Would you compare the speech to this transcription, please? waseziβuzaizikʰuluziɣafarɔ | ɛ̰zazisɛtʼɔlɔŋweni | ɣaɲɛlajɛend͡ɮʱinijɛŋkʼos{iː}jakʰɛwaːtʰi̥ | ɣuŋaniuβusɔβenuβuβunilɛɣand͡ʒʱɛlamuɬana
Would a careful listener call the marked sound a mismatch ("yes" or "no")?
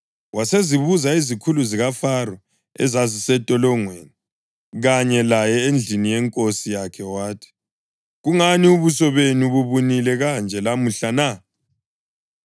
yes